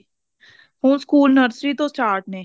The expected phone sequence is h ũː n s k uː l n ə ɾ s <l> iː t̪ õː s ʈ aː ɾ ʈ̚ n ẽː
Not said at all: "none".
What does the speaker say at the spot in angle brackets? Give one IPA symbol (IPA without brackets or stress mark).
ɾ